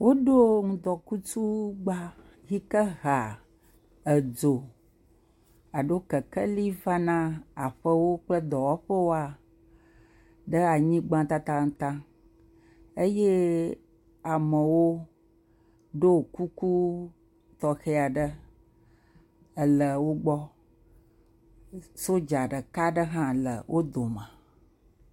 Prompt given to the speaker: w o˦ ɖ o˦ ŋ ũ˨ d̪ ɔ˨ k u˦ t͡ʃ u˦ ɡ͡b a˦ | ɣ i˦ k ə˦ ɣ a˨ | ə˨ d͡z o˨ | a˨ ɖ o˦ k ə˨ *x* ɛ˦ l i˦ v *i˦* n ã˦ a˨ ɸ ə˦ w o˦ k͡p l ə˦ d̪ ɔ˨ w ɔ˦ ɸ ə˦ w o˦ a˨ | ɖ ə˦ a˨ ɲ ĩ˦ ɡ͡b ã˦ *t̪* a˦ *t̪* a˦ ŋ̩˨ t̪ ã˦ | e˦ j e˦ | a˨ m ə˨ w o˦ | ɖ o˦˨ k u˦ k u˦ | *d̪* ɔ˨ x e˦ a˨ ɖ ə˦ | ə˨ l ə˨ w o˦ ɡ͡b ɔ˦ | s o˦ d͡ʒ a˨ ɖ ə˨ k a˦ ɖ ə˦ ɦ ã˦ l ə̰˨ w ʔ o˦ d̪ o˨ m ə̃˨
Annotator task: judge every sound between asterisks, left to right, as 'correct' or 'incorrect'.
incorrect: k, incorrect: a˦, correct, correct, incorrect: t̪

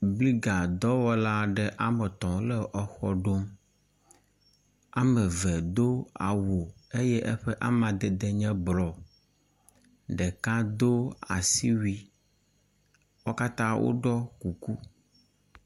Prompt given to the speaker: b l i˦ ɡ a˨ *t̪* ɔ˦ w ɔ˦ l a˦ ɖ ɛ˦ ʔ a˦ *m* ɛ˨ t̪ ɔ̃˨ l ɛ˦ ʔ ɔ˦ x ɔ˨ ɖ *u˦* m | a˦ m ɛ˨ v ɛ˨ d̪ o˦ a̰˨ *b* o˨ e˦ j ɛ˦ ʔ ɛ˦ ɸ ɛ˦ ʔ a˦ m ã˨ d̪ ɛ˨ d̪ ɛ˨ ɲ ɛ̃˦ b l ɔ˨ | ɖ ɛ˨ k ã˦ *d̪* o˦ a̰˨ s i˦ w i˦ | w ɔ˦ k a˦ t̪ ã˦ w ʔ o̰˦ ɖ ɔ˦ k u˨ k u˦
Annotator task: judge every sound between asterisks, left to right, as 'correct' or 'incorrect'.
incorrect: d̪, correct, incorrect: o˦, incorrect: w, correct

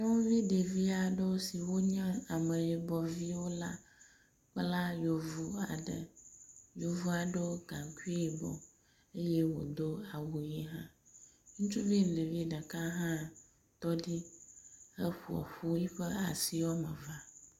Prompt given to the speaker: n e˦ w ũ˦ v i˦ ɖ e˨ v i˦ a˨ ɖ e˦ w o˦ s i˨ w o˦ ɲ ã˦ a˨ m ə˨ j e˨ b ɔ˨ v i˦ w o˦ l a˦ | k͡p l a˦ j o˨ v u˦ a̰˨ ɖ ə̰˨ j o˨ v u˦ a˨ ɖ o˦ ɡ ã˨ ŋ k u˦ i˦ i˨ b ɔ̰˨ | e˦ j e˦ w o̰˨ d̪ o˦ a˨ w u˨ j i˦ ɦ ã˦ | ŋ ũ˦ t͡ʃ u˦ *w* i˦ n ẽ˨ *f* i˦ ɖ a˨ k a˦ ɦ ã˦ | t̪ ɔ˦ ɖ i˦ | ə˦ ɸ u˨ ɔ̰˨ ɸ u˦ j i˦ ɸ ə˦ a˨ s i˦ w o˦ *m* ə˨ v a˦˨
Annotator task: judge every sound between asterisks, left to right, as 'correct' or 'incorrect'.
incorrect: v, incorrect: v, correct

